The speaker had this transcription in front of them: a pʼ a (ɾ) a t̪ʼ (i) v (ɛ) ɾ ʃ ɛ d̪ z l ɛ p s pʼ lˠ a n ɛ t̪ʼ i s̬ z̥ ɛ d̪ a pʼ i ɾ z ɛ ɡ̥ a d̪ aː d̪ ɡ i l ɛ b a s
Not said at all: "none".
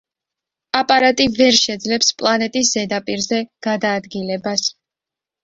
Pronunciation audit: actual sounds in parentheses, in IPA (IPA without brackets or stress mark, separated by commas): ɾ, i, ɛ